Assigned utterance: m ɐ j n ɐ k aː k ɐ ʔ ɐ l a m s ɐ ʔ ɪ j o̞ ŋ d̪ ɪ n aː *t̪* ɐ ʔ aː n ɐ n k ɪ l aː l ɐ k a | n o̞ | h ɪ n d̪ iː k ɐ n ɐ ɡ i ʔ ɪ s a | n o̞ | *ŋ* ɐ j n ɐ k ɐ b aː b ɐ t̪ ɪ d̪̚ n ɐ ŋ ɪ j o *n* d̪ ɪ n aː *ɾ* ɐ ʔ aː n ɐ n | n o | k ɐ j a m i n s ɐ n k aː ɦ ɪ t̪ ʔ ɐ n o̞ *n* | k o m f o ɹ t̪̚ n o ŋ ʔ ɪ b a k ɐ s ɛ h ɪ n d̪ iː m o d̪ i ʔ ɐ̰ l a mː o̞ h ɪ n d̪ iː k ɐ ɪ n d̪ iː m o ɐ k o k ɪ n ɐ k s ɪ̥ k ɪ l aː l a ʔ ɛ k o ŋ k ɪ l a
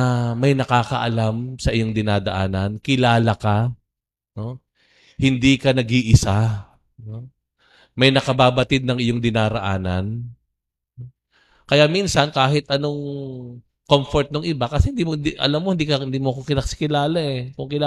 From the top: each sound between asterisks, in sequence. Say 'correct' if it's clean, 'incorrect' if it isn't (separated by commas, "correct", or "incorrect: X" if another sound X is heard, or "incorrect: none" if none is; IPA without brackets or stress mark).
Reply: incorrect: d̪, incorrect: m, incorrect: ŋ, correct, incorrect: ŋ